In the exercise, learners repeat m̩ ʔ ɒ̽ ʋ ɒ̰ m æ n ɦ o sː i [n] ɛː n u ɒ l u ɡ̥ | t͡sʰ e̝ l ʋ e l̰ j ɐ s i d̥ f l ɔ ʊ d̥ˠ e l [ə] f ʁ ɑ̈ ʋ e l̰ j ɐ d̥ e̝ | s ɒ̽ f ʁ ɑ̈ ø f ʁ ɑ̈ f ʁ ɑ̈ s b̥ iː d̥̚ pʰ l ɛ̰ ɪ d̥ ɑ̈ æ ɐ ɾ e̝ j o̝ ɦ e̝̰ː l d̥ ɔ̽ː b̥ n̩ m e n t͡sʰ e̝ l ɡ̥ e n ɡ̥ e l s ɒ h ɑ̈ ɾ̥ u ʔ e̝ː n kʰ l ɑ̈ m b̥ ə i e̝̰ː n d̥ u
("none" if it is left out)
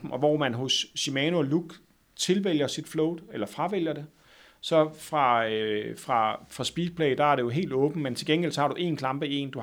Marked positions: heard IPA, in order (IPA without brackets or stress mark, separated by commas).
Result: m, ɐ